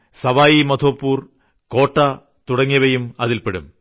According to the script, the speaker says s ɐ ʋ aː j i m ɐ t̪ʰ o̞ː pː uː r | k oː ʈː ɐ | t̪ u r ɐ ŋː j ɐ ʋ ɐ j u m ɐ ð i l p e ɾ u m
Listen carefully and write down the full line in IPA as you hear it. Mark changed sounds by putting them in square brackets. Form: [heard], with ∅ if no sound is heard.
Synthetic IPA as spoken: s ɐ ʋ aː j i m ɐ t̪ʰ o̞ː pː uː r | k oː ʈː ɐ | t̪ u [ɽ] ɐ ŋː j ɐ ʋ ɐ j u m ɐ ð i l p e [ɽ] u m